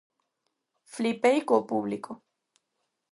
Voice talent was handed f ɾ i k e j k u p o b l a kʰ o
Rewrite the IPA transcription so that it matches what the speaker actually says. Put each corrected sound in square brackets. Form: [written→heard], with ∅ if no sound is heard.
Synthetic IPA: f [ɾ→l] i [k→p] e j k [u→o] p [o→u] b l [a→i] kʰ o